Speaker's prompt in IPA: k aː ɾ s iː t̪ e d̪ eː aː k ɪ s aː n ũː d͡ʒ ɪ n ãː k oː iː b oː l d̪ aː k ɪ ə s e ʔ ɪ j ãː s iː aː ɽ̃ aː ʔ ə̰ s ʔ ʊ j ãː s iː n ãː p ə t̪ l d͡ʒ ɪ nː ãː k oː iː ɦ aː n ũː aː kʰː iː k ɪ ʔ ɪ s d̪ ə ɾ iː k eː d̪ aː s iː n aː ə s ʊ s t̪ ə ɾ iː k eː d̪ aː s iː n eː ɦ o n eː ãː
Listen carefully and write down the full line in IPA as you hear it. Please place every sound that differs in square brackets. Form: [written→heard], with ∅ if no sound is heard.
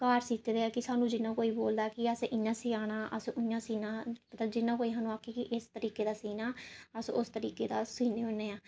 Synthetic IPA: k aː ɾ s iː t̪ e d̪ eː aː k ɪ s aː n ũː d͡ʒ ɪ n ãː k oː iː b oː l d̪ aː k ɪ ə s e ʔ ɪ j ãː s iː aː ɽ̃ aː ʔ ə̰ s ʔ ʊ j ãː s iː n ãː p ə t̪ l d͡ʒ ɪ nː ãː k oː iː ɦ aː n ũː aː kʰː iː k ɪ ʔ ɪ s [d̪→t̪] ə ɾ iː k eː d̪ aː s iː n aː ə s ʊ s t̪ ə ɾ iː k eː d̪ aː s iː n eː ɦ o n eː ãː

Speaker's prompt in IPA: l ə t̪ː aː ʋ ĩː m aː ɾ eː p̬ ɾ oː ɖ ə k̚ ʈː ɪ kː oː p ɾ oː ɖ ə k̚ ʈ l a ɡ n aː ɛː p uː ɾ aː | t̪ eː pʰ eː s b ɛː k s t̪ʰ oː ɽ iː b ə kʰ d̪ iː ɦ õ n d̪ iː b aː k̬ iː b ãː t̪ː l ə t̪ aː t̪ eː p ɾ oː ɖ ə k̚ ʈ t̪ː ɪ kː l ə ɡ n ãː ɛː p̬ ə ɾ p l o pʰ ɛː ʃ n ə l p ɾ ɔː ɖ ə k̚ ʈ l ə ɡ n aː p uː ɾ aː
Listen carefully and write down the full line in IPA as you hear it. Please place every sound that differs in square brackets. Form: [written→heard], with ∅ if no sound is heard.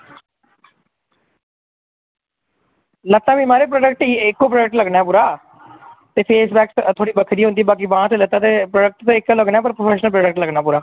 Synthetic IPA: l ə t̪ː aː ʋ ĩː m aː ɾ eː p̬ ɾ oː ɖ ə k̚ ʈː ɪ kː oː p ɾ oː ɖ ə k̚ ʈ l [a→ə] ɡ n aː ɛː p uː ɾ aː | t̪ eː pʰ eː s b ɛː k s t̪ʰ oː ɽ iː b ə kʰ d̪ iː ɦ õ n d̪ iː b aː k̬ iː b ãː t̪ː l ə t̪ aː t̪ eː p ɾ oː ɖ ə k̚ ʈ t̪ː ɪ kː l ə ɡ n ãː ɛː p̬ ə ɾ p [l→ɾ] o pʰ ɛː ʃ n ə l p ɾ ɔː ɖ ə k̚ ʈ l ə ɡ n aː p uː ɾ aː

